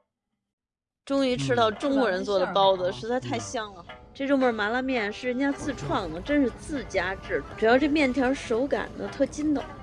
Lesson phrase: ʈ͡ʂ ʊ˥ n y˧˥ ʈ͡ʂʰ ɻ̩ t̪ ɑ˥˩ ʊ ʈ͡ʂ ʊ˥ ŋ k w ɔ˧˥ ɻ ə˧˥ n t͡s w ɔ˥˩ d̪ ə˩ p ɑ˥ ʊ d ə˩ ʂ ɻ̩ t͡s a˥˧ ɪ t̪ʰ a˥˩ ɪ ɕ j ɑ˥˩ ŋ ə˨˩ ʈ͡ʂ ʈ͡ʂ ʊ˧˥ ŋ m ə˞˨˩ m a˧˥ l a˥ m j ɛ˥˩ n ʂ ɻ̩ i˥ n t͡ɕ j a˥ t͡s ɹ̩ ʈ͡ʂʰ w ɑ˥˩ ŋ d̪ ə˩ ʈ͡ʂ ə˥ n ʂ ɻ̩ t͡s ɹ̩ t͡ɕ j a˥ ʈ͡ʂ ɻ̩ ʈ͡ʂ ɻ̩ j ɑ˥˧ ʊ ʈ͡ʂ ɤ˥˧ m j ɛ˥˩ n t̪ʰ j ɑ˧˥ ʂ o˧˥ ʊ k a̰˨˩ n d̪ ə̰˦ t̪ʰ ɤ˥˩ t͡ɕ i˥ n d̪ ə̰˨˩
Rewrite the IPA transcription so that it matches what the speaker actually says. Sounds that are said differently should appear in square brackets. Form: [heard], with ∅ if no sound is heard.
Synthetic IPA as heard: ʈ͡ʂ ʊ˥ [ŋ] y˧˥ ʈ͡ʂʰ ɻ̩ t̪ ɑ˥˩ ʊ ʈ͡ʂ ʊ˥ ŋ k w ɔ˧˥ ɻ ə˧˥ n t͡s w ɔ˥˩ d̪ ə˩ p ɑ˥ ʊ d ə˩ ʂ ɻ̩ t͡s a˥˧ ɪ t̪ʰ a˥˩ ɪ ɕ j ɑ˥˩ ŋ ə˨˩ ʈ͡ʂ ʈ͡ʂ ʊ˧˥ ŋ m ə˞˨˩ m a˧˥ l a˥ m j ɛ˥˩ n ʂ ɻ̩ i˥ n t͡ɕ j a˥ t͡s ɹ̩ ʈ͡ʂʰ w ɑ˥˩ ŋ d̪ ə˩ ʈ͡ʂ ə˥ n ʂ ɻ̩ t͡s ɹ̩ t͡ɕ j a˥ ʈ͡ʂ ɻ̩ ʈ͡ʂ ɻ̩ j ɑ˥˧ ʊ ʈ͡ʂ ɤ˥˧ m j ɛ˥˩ n t̪ʰ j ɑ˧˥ ʂ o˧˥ ʊ k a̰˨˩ n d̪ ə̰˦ t̪ʰ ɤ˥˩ t͡ɕ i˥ n d̪ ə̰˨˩